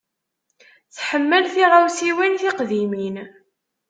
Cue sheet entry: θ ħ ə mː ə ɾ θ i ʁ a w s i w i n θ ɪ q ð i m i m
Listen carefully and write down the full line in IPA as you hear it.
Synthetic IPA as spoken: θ ħ ə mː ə l θ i ʁ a w s i w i n θ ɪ q ð i m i n